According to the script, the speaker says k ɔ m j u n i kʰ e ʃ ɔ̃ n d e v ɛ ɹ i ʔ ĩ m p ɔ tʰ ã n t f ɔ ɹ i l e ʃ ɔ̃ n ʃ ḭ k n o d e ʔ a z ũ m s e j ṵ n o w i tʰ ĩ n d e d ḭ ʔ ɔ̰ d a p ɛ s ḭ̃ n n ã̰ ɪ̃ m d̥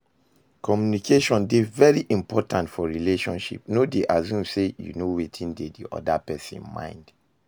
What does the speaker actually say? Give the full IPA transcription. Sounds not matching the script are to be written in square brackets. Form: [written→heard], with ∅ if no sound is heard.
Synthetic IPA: k ɔ m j u n i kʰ e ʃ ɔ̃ n d e v ɛ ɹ i ʔ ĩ m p ɔ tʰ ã n t f ɔ ɹ i l e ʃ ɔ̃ n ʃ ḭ [k→p] n o d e ʔ a z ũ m s e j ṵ n o w [i→e] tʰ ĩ n d e d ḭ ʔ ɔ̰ d a p ɛ s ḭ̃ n [n→m] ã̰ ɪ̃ [m→n] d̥

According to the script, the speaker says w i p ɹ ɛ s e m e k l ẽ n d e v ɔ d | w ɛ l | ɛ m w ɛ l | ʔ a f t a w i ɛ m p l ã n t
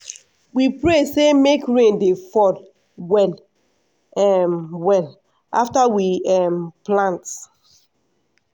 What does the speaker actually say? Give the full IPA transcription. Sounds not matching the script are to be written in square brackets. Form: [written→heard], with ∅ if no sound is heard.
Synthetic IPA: w i p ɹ [ɛ→e] s e m e k [l→ɹ] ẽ n d e [v→f] ɔ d | w ɛ l | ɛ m w ɛ l | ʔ a f t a w i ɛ m p l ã n t

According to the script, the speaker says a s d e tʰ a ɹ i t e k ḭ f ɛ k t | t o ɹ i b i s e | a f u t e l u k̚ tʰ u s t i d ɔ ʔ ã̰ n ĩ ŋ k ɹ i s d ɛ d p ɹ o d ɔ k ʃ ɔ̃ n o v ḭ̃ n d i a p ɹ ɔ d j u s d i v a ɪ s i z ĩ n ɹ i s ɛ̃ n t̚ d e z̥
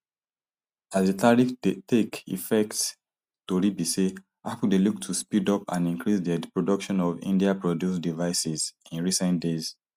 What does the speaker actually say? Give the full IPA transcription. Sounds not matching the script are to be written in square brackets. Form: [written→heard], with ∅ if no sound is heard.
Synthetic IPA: a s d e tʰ a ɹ i t e k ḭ f ɛ k t | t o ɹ i b i s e | a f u [t→d] e l u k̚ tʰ u s [t→p] i d ɔ [ʔ→p] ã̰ n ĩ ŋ k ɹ i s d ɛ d p ɹ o d ɔ k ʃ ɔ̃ n [o→ɔ] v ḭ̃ n d i a p ɹ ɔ d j u s d i v a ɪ s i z ĩ n ɹ i s ɛ̃ n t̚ d e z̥

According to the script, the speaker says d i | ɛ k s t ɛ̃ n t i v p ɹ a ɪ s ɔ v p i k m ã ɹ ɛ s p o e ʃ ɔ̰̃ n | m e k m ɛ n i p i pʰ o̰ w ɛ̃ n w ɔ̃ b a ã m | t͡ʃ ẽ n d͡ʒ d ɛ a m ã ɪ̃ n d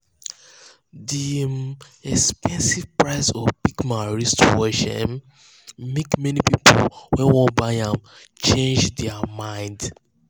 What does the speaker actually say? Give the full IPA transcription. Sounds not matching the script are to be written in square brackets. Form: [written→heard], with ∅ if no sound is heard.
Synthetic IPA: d i | ɛ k s [t→p] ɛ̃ n [t→s] i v p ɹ a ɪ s ɔ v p i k m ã ɹ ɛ s [p→t] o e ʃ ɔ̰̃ n | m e k m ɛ n i p i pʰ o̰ w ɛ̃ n w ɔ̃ b a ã m | t͡ʃ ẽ n d͡ʒ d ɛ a m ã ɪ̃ n d

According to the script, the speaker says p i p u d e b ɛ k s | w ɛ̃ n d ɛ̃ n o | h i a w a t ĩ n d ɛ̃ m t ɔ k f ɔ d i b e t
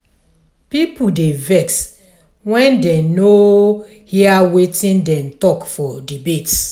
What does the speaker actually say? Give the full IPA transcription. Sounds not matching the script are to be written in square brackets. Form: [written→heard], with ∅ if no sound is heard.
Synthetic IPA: p i p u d e [b→v] ɛ k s | w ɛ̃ n d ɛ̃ n o | h i a w [a→e] t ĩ n d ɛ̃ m t ɔ k f ɔ d i b e t

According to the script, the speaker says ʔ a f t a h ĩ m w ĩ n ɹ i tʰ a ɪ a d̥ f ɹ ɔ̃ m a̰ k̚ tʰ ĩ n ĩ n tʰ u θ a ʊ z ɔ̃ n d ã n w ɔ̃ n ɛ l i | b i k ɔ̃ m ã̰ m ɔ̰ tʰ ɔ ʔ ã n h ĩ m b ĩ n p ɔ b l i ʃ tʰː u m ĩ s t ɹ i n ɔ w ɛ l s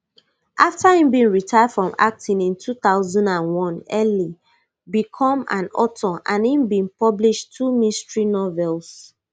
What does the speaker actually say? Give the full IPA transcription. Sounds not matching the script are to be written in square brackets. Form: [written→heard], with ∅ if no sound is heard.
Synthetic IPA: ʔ a f t a h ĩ m [w→b] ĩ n ɹ i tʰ a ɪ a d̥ f ɹ ɔ̃ m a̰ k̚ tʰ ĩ n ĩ n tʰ u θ a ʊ z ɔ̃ n d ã n w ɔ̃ n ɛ l i | b i [k→kʰ] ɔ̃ m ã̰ [m→n] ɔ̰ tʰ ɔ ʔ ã n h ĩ m b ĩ n p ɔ b l i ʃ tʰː u m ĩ s t ɹ i n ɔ [w→v] ɛ l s

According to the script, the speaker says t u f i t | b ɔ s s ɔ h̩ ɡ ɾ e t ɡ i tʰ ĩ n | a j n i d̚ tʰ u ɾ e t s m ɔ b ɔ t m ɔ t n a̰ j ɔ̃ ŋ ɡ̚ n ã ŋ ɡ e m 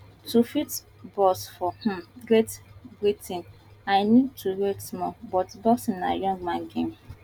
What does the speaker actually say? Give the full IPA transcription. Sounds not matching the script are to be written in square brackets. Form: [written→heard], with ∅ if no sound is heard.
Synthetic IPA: t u f i t | b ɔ s [s→f] ɔ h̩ ɡ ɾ e t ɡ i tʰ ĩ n | a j n i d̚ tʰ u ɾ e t s m ɔ b ɔ t [m→b] ɔ [t→s] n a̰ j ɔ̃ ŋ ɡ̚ [n→m] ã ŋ ɡ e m

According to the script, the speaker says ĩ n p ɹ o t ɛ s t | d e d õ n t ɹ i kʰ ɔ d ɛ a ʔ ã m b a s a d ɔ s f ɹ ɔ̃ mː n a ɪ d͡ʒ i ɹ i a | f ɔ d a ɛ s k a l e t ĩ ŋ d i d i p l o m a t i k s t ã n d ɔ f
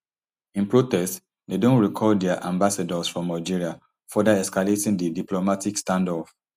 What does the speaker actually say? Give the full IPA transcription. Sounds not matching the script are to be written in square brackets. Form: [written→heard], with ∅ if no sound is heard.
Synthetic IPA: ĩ n p ɹ o t ɛ s t | d e d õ n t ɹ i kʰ ɔ d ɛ a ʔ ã m b a s a d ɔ s f ɹ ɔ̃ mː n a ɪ d͡ʒ i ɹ i a | f ɔ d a ɛ s k a l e t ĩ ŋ d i d i p l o m a t i k s t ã n d ɔ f

